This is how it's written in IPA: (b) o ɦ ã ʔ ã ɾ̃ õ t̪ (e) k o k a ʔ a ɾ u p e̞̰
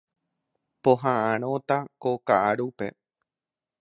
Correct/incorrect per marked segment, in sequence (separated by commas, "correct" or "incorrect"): incorrect, incorrect